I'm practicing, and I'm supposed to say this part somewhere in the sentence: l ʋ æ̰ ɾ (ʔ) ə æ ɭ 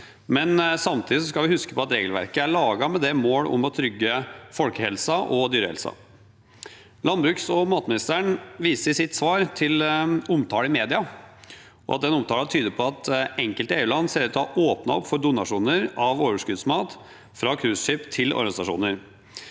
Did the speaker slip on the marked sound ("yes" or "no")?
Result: yes